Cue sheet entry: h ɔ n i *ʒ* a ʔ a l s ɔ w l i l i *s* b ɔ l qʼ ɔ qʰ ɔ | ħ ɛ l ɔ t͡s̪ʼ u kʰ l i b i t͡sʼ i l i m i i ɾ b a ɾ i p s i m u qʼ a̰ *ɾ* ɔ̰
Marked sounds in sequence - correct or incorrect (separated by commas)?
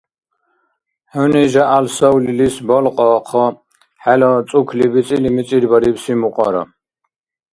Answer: correct, correct, correct